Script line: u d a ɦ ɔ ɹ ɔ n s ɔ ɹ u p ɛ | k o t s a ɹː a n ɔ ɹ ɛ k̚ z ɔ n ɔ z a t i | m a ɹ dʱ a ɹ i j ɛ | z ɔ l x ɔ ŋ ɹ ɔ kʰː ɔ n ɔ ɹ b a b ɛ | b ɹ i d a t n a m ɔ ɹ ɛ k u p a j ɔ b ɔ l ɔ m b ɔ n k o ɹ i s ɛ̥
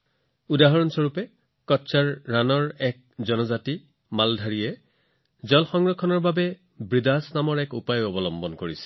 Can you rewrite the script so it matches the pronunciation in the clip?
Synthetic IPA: u d a ɦ ɔ ɹ ɔ n s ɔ ɹ u p ɛ | k ɔ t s a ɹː a n ɔ ɹ ɛ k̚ z ɔ n ɔ z a t i | m a l dʱ a ɹ i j ɛ | z ɔ l x ɔ ŋ ɹ ɔ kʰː ɔ n ɔ ɹ b a b ɛ | b ɹ i d a s n a m ɔ ɹ ɛ k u p a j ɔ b ɔ l ɔ m b ɔ n k o ɹ i s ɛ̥